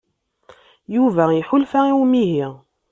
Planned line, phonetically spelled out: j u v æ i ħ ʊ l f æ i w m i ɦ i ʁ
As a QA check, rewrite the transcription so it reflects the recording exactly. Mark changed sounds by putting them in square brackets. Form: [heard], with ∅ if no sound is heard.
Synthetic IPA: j u v æ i ħ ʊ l f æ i w m i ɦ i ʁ

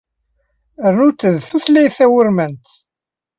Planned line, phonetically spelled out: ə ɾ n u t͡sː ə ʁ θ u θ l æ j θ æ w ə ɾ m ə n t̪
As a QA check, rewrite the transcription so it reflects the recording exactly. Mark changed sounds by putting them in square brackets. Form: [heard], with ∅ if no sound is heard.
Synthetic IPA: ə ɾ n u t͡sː ə [ð] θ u θ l æ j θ æ w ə ɾ m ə n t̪

